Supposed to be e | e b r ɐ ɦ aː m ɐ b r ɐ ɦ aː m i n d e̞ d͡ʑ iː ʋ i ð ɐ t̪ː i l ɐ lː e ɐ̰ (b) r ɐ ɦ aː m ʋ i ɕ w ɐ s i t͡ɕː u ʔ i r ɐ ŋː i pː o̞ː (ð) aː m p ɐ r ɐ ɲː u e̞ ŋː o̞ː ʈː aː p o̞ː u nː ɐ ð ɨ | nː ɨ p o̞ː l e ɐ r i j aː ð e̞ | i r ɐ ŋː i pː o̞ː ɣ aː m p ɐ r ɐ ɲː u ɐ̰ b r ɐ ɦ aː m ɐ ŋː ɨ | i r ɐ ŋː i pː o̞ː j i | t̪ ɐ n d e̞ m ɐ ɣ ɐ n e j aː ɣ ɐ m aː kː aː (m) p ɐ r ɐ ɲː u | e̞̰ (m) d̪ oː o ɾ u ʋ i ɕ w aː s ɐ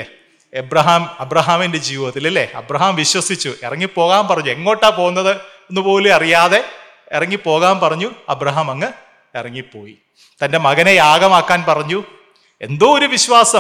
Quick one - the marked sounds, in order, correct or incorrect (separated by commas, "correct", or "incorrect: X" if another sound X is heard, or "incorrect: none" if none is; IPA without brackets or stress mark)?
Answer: correct, incorrect: ɣ, incorrect: n, incorrect: n